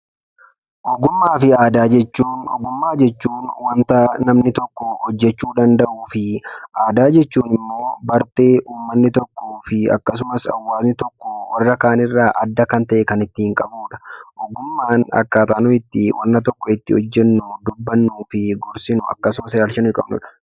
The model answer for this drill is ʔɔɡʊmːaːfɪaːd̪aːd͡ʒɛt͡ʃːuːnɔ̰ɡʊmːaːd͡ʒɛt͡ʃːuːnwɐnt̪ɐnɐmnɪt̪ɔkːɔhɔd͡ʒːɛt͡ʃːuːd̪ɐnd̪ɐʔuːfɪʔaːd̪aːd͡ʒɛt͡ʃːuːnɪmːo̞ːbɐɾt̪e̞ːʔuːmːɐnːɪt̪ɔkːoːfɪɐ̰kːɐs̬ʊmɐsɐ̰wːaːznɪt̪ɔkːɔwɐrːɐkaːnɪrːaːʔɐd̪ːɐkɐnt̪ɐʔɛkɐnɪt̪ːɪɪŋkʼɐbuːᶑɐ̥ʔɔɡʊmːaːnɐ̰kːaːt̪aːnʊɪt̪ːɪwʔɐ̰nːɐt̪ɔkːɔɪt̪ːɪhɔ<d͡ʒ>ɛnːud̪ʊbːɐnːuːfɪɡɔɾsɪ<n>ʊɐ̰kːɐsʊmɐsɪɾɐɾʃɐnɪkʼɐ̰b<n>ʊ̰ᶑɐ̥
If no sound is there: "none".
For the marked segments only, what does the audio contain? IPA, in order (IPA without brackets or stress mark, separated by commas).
d͡ʒː, n, n